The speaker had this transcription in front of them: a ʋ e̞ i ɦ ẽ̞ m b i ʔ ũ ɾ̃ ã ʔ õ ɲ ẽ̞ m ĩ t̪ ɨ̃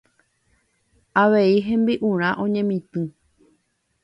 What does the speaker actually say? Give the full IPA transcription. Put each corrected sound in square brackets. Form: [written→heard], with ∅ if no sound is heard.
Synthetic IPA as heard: a ʋ e̞ i ɦ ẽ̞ m b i ʔ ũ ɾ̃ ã ʔ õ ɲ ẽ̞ m ĩ t̪ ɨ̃